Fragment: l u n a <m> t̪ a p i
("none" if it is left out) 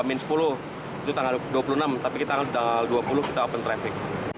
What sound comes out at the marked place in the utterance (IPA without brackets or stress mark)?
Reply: m